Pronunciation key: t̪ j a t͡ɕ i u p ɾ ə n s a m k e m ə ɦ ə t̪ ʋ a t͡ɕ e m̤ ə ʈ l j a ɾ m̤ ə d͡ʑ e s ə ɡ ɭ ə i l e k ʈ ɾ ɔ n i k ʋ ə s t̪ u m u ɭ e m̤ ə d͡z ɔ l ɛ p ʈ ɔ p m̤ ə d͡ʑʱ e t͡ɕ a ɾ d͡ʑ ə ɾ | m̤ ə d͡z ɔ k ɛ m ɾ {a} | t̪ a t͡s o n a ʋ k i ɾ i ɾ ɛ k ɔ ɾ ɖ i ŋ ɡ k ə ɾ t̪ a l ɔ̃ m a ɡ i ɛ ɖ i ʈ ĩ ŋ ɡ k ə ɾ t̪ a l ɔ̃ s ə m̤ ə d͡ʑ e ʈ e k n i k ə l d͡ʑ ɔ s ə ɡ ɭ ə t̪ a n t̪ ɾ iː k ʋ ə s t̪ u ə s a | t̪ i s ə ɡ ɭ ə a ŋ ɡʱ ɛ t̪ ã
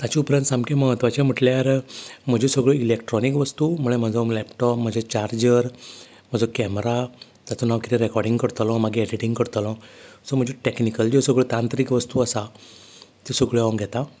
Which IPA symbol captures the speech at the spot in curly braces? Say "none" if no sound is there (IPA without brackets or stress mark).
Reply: a